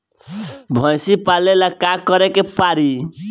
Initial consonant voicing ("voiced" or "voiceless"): voiced